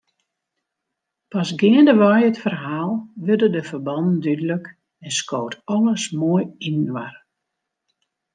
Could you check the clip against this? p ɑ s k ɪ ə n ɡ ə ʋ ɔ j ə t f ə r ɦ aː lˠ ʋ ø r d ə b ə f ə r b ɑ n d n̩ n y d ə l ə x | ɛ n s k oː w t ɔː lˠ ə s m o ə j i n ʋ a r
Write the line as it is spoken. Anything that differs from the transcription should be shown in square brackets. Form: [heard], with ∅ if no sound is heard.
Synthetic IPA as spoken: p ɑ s [ɡ] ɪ ə n [d] ə ʋ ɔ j ə t f ə r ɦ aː lˠ ʋ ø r d ə [d] ə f ə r b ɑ n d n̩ [d] y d ə l ə [k] | ɛ n s k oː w t [ɔ] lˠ ə s m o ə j i n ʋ a r